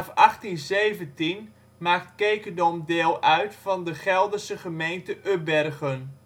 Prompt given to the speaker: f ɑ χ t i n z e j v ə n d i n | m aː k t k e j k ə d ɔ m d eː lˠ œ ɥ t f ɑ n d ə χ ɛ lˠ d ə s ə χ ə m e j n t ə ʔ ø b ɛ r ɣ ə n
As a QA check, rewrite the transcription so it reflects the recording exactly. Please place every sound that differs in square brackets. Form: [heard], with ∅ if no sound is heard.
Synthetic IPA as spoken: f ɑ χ t i n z e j v ə n [t] i n | m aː k t k e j k ə d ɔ m d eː lˠ œ ɥ t f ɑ n d ə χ ɛ lˠ d ə s ə χ ə m e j n t ə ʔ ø b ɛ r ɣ ə n